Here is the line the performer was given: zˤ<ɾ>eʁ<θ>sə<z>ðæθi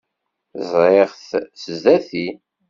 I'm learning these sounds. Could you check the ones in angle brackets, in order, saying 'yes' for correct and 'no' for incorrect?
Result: yes, yes, yes

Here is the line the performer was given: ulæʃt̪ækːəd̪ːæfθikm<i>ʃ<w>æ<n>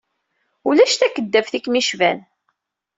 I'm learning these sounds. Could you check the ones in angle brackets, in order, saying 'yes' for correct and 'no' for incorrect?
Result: yes, no, yes

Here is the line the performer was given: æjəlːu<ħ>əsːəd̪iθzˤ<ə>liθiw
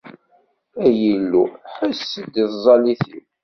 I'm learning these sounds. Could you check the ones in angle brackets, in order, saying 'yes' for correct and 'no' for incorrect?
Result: yes, no

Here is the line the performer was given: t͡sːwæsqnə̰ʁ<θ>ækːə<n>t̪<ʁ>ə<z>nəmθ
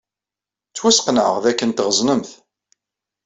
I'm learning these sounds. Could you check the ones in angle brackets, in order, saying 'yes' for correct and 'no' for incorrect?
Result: no, yes, yes, yes

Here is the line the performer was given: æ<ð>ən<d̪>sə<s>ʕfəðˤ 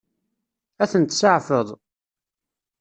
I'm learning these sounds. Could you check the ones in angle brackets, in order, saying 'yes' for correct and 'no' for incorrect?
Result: no, no, no

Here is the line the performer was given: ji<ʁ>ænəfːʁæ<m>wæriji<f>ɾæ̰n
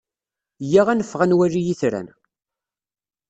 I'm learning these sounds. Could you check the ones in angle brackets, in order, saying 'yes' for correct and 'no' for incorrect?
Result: yes, no, no

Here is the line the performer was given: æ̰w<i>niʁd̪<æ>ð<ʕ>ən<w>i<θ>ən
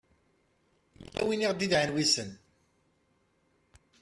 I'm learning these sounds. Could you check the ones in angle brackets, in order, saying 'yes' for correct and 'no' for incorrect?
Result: yes, no, yes, yes, no

